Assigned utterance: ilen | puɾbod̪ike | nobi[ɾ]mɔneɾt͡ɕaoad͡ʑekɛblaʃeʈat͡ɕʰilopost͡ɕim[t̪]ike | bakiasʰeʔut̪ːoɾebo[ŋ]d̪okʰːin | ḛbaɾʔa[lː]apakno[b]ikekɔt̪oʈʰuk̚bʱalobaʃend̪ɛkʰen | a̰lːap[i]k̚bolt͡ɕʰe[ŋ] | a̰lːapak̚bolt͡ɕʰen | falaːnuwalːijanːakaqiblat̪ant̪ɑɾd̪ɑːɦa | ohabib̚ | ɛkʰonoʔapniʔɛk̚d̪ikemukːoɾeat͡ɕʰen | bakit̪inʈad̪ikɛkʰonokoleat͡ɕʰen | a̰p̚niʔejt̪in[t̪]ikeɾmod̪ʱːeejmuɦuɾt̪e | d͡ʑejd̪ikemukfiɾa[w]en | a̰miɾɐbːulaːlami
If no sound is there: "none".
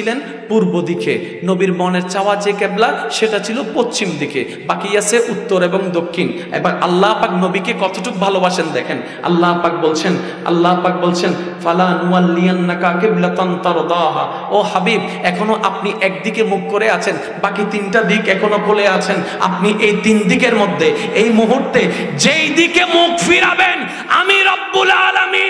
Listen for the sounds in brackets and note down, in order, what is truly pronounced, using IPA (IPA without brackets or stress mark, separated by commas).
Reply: ɾ, d̪, ŋ, lː, b, a, n, d̪, b